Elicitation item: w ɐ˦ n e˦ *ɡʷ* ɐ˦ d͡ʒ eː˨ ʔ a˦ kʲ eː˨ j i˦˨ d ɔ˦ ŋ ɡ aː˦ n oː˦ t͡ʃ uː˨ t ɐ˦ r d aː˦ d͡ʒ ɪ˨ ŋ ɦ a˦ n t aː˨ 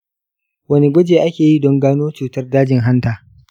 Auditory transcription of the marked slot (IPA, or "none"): ɡʷ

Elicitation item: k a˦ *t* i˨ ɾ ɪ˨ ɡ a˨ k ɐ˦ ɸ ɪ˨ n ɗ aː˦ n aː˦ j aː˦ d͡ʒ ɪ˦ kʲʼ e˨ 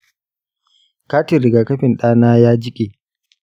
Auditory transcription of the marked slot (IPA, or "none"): t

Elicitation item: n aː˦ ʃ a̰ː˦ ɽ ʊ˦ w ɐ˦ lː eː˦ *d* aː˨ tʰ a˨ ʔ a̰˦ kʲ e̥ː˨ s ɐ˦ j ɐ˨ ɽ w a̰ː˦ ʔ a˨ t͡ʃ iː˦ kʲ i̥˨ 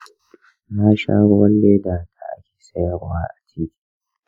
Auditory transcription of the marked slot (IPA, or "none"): d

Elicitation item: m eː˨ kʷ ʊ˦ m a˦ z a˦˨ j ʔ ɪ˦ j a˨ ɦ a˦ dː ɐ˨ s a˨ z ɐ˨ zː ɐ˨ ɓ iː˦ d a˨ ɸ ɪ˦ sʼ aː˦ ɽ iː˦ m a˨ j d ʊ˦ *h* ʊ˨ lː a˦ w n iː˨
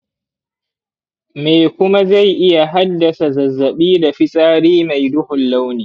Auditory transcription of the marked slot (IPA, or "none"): h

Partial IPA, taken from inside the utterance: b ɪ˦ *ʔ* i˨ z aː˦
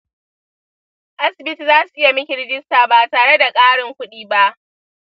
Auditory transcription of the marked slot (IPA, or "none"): t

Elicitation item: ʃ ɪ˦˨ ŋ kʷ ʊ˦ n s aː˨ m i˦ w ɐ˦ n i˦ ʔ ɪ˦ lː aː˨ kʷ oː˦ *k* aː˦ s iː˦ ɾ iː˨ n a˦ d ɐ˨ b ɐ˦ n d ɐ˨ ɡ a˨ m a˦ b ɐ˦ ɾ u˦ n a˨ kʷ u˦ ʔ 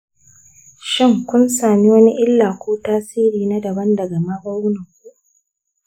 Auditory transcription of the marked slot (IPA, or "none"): t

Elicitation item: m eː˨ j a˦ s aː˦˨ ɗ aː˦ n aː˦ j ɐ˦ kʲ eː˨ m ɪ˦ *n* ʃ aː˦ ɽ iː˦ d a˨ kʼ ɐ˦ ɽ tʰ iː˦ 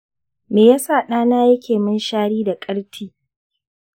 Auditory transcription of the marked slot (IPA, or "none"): n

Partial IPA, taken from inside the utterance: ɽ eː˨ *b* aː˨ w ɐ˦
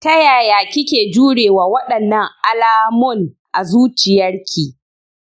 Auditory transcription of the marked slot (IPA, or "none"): w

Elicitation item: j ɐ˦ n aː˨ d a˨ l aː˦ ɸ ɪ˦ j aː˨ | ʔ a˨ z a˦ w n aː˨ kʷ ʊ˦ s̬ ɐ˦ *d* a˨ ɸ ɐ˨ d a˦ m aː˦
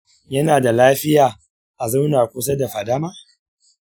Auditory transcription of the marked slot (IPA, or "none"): d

